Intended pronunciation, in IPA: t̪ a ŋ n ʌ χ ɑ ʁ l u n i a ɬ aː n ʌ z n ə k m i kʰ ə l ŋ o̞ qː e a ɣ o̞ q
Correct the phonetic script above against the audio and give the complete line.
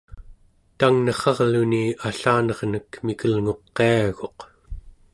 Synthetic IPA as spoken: t̪ a ŋ n ʌ χ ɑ ʁ l u n i a ɬ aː n ʌ ʁ n ə k m i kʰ ə l ŋ o̞ qː e a ɣ o̞ q